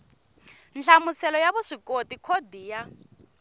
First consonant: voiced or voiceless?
voiced